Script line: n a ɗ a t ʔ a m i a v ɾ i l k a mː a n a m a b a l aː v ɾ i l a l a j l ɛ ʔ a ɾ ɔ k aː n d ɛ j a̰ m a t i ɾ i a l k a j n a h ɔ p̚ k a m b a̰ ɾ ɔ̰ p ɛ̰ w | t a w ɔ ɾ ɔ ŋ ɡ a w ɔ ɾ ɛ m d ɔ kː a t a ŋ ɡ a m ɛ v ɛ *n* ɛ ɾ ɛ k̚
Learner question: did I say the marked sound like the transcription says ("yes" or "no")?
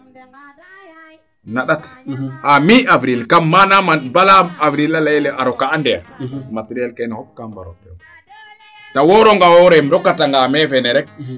yes